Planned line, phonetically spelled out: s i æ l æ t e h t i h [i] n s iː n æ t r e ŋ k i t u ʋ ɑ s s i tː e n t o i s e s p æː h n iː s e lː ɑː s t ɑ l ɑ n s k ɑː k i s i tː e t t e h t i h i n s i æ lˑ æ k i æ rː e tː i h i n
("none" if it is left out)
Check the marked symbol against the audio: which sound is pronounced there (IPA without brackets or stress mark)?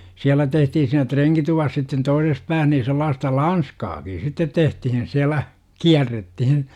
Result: i